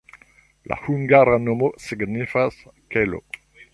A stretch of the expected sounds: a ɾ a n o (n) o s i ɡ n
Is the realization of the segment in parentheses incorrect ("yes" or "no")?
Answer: yes